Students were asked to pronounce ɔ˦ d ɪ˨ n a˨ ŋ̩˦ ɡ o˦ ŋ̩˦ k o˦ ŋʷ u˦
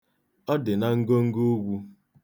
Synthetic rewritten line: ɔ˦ d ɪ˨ n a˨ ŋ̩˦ ɡ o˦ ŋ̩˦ ɡ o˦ ɡʷ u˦